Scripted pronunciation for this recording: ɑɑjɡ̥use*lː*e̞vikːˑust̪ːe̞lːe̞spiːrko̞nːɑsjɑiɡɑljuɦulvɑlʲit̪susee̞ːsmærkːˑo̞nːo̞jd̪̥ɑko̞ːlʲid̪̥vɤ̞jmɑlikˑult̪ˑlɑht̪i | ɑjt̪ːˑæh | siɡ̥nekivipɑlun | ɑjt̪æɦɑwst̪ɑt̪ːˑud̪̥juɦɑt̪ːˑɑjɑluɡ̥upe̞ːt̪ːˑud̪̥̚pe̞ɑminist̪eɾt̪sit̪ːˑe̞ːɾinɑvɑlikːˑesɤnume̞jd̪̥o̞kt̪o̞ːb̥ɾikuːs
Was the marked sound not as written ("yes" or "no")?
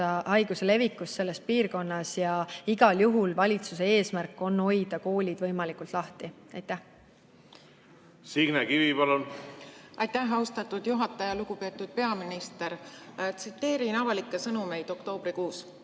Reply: yes